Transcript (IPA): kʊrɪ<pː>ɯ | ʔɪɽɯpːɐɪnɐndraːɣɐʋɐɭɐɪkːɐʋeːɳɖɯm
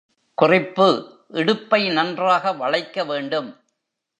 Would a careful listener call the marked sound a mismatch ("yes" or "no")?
no